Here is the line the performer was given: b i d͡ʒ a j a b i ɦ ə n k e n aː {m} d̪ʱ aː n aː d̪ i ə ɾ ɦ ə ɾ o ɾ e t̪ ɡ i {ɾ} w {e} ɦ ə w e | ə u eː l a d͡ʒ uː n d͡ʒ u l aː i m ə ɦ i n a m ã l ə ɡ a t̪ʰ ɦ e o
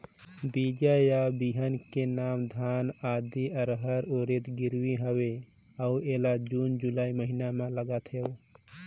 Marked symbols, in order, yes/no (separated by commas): yes, yes, no